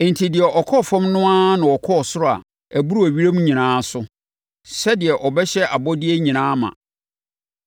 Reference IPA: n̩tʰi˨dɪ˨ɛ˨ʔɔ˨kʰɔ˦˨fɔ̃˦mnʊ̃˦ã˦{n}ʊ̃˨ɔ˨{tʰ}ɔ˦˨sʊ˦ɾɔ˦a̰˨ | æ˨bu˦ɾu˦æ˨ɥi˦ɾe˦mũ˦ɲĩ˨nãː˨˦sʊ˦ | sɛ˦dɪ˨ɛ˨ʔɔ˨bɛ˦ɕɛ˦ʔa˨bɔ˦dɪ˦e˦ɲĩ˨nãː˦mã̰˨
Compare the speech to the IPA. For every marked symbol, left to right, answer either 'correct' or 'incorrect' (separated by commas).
correct, incorrect